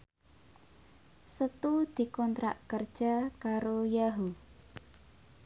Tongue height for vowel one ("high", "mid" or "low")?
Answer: mid